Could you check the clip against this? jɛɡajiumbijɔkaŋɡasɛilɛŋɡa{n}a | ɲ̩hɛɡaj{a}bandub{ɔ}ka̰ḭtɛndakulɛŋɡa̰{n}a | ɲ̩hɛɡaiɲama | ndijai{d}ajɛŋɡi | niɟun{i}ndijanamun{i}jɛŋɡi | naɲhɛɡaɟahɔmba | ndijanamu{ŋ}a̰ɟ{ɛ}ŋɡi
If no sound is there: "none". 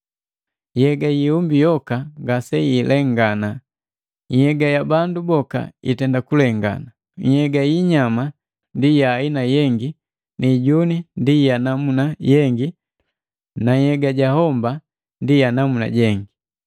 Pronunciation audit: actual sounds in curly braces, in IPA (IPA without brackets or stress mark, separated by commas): n, a, ɔ, n, n, i, a, n, ɛ